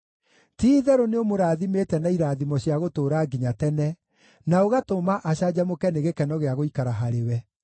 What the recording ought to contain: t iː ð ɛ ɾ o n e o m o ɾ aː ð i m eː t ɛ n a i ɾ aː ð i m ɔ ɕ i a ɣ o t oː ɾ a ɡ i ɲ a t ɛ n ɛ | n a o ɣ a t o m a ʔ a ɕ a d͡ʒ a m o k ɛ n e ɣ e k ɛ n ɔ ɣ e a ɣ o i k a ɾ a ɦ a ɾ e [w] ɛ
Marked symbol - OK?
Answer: yes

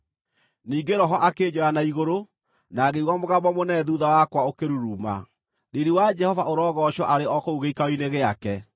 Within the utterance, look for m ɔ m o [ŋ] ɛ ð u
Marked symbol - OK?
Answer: no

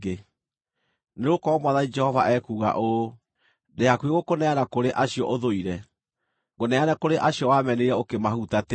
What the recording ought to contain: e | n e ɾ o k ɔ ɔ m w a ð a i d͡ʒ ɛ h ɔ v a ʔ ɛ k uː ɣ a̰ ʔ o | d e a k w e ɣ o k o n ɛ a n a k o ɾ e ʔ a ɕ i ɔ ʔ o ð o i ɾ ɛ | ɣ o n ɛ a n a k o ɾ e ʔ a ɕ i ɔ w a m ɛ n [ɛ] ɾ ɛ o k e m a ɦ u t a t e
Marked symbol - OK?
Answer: no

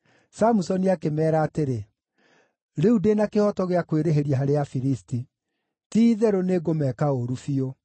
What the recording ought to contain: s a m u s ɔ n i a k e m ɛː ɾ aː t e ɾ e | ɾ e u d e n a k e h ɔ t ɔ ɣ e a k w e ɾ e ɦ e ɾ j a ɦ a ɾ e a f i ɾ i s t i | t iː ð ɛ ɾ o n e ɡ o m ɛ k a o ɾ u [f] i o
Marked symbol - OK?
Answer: yes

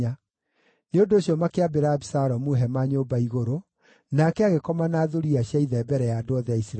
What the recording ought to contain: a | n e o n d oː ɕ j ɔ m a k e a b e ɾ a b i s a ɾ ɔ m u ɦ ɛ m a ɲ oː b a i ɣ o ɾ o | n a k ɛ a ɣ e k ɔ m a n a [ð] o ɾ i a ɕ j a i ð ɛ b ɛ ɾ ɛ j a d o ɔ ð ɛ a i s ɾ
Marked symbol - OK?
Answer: yes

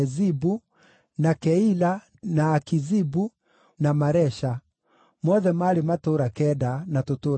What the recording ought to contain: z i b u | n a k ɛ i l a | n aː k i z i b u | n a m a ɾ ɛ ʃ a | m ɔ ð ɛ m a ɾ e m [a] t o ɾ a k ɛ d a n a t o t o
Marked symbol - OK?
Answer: yes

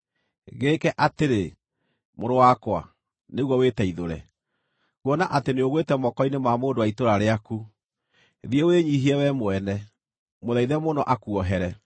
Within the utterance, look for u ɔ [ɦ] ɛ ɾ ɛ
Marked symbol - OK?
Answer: yes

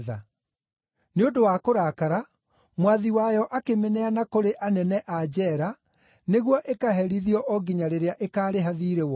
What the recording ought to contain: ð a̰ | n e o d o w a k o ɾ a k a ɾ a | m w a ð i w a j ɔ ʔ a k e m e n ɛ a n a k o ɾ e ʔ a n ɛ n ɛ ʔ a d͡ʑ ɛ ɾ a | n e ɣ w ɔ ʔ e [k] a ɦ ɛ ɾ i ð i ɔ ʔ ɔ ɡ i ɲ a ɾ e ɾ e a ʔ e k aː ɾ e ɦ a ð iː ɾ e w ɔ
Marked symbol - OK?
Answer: yes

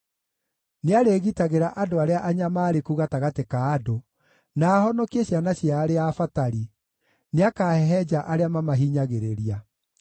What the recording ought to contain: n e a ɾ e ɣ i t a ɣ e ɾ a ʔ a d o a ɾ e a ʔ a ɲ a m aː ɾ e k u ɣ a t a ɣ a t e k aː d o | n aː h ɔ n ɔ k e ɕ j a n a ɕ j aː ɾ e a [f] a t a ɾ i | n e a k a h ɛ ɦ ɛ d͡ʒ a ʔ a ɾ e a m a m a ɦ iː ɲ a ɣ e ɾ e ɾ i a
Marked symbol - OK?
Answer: yes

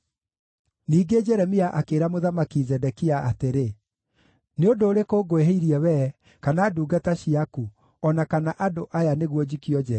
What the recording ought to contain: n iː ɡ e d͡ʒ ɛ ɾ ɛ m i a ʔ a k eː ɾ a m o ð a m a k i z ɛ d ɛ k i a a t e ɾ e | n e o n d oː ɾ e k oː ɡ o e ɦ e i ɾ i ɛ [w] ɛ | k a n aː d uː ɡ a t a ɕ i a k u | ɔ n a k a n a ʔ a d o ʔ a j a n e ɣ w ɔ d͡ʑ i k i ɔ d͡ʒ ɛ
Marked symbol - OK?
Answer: yes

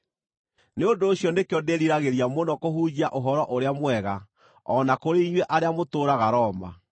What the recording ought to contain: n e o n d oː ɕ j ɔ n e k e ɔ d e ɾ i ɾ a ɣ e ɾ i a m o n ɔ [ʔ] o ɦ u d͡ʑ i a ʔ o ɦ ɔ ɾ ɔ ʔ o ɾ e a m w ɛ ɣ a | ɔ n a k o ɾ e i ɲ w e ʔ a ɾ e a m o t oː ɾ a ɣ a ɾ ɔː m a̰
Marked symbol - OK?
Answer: no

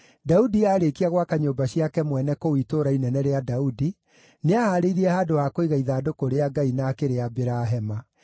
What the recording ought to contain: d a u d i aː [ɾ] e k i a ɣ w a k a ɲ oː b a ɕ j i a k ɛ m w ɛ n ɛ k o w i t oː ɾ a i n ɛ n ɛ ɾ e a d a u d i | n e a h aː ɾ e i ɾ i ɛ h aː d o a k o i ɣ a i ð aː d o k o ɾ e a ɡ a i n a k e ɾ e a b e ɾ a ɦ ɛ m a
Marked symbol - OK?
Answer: yes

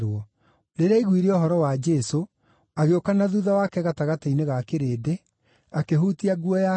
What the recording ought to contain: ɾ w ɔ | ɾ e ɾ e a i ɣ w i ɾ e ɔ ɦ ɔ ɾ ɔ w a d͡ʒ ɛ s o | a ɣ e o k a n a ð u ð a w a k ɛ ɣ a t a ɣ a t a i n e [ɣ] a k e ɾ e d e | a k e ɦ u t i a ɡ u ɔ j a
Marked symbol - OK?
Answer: yes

